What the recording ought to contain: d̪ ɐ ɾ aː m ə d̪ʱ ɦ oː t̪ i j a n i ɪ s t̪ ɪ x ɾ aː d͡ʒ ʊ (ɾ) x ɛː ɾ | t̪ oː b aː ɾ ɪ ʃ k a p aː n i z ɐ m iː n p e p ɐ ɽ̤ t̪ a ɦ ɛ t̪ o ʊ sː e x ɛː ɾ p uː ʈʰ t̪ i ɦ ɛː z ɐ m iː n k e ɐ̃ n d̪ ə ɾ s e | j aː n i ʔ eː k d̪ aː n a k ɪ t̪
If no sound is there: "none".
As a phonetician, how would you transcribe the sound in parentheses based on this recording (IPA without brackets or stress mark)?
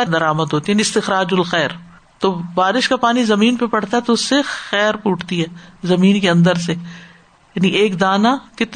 l